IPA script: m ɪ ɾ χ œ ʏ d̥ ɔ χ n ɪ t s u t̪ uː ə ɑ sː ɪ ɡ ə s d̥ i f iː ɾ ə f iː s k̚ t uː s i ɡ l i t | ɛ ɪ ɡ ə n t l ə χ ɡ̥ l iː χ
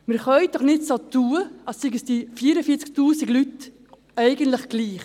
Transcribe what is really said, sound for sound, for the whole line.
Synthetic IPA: m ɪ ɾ χ œ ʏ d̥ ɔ χ n ɪ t s o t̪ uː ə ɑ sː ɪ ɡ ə s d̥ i f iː ɾ ə f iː t͡s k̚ t uː s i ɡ l y t | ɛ ɪ ɡ ə n t l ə χ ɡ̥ l iː χ

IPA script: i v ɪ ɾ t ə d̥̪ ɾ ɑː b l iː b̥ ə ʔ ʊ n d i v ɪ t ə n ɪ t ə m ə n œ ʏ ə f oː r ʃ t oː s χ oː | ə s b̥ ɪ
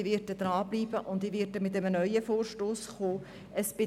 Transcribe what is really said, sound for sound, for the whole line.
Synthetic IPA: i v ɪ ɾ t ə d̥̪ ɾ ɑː b l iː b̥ ə ʔ ʊ n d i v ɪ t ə m ɪ t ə m ə n œ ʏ ə f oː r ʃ t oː s χ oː | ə s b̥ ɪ

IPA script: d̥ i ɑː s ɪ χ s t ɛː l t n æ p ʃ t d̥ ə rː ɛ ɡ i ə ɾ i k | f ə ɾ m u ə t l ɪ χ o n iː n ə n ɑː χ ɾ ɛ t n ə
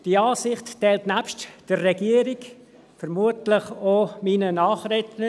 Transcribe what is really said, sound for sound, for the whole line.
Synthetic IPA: d̥ i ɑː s ɪ χ t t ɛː l t n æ p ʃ t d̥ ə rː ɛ ɡ i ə ɾ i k | f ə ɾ m u ə t l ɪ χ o m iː n ə n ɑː χ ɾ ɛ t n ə

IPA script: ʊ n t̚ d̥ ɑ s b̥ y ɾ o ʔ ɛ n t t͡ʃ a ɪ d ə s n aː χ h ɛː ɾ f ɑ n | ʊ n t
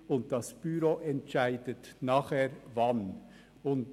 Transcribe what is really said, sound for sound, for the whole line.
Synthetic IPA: ʊ n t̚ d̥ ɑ s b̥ y ɾ o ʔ ɛ n t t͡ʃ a ɪ d ə t n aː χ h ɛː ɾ v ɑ n | ʊ n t

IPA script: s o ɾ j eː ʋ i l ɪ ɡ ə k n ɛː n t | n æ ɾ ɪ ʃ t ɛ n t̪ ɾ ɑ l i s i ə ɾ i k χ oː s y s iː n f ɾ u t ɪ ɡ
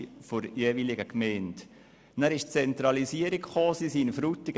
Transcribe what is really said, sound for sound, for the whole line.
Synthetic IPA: f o ɾ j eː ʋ i l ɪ ɡ ə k m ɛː n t | n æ ɾ ɪ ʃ t͡s ɛ n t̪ ɾ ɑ l i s i ə ɾ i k χ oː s i s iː n f ɾ u t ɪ ɡ

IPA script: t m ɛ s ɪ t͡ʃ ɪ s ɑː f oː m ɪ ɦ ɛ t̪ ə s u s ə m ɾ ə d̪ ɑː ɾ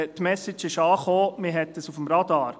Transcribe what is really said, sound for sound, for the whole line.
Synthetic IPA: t m ɛ s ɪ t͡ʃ ɪ ʃ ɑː χ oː m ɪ ɦ ɛ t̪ ə s u f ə m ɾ ɑ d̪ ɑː ɾ

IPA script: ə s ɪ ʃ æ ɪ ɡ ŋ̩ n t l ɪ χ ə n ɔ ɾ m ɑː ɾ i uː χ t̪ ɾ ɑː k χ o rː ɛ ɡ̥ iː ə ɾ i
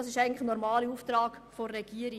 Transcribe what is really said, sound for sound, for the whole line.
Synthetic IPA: ɑ s ɪ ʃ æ ɪ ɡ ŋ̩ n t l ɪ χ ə n ɔ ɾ m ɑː l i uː f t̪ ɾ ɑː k f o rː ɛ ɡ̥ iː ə ɾ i

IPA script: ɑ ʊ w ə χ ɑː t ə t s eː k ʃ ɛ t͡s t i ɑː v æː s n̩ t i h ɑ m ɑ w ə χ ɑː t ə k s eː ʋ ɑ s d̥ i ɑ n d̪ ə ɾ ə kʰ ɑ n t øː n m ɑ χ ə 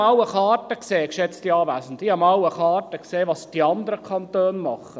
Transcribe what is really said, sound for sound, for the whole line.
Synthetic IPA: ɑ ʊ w ə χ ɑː t ə k s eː k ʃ ɛ t͡s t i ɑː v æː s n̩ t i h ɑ m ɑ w ə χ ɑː t ə k s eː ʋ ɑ s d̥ i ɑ n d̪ ə ɾ ə kʰ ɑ n t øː n m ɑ χ ə

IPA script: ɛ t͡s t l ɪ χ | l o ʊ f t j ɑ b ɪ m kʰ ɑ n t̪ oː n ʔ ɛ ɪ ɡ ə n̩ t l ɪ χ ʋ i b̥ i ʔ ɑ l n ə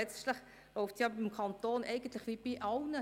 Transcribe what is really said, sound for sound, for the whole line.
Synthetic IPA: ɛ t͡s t l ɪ χ | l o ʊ f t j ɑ b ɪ m kʰ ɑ n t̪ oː n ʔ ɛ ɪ ɡ ə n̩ t l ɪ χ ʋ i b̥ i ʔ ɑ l n ə

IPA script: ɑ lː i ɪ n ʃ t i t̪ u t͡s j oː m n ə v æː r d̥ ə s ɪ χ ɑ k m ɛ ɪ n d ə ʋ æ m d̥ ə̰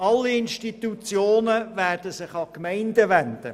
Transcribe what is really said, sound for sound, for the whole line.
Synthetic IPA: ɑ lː i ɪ n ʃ t i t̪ u t͡s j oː n ə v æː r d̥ ə s ɪ χ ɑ k m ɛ ɪ n d ə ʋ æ n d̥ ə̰

